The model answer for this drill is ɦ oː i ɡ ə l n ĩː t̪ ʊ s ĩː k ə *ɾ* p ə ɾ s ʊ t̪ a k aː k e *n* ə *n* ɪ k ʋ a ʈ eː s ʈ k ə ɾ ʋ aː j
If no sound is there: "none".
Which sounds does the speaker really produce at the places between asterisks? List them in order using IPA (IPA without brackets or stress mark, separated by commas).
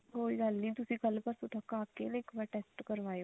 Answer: l, n, none